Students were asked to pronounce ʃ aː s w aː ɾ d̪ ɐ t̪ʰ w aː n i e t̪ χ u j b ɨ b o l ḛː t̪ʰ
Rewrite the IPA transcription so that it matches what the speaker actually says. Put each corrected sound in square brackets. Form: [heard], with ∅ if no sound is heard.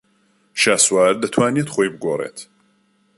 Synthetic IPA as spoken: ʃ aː s w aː ɾ d̪ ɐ t̪ʰ w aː n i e t̪ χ [o] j b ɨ [ɡ] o [r] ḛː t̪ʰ